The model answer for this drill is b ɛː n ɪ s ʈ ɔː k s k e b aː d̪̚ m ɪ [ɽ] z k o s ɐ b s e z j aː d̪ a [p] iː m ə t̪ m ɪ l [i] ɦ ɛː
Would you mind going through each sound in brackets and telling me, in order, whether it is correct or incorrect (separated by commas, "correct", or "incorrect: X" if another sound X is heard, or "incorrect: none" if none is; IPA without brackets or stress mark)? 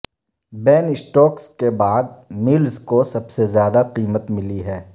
incorrect: l, incorrect: q, correct